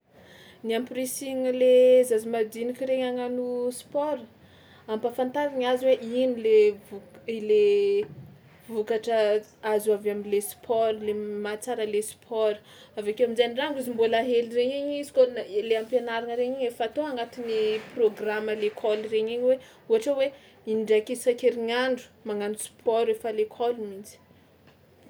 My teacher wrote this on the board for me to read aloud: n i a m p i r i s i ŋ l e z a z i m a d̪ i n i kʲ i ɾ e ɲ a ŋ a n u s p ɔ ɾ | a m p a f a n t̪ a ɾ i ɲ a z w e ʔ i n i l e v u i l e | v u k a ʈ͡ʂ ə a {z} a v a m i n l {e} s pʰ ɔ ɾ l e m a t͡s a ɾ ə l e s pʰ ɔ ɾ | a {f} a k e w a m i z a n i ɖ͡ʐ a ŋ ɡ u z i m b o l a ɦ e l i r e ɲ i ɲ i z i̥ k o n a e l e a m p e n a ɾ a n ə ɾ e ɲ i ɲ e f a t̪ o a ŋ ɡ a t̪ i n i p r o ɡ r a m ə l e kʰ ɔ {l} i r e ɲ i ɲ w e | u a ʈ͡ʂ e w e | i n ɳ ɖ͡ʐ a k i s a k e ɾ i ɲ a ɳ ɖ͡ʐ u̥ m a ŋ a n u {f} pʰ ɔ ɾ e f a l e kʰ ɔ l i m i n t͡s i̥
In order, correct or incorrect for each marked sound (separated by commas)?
correct, correct, incorrect, correct, incorrect